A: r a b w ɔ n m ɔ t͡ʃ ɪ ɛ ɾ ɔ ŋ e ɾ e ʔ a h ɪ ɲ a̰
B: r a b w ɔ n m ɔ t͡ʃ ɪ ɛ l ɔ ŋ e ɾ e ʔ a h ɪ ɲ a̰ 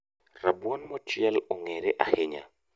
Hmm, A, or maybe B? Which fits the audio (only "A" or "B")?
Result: B